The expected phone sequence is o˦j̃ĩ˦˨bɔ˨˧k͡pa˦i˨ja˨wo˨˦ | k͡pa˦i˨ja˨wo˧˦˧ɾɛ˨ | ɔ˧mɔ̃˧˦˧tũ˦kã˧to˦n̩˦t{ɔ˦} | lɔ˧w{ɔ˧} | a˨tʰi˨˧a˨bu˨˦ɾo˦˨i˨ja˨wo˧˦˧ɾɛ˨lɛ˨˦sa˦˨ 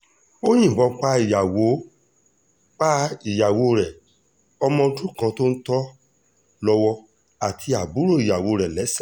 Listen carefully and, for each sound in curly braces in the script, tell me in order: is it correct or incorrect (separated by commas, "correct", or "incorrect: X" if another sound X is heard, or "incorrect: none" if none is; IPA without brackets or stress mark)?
correct, correct